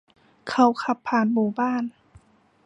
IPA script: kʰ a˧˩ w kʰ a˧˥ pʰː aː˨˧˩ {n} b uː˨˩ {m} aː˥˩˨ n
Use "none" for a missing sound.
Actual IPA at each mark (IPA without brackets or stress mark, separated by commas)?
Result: n, b